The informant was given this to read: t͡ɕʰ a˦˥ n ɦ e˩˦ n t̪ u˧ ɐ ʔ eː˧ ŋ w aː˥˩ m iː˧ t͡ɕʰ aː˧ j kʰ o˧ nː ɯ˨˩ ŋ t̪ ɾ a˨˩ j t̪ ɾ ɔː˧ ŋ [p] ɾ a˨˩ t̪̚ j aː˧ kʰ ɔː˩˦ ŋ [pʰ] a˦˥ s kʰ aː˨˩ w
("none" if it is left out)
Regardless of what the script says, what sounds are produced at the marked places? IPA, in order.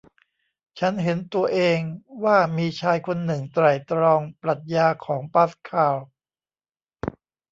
p, p

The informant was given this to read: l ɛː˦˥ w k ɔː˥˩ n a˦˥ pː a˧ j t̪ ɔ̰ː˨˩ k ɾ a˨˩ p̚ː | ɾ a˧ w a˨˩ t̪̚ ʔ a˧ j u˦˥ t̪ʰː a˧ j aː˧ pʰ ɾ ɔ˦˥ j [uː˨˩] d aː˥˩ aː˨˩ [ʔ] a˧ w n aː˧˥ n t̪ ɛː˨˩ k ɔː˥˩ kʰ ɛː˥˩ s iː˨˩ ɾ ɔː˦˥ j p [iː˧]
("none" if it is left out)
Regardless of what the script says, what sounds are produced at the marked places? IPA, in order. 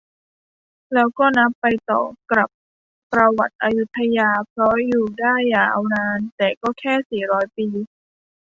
uː˨˩, ʔ, iː˧

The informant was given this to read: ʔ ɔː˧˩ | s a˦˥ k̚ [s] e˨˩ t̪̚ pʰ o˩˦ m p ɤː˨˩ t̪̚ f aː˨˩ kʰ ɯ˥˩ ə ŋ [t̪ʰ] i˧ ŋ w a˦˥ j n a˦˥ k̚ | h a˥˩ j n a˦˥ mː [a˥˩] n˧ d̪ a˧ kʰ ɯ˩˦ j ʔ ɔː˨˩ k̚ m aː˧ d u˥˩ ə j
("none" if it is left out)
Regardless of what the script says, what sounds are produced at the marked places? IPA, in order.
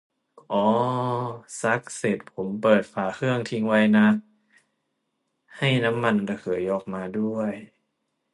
s, t̪ʰ, a˧

